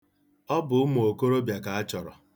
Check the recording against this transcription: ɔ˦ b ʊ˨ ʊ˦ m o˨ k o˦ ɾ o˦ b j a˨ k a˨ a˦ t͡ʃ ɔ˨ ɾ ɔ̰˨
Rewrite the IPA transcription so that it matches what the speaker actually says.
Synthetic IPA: ɔ˦ b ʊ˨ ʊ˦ m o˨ k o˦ ɾ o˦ b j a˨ k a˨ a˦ t͡ʃ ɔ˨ ɾ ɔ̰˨